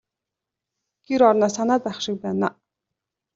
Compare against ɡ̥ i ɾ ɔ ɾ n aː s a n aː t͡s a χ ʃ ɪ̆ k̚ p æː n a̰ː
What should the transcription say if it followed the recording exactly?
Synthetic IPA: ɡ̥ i ɾ ɔ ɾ n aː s a n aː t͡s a χ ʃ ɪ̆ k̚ p æː n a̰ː